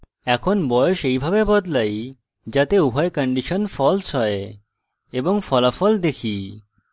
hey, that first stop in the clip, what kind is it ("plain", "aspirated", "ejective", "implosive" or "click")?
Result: aspirated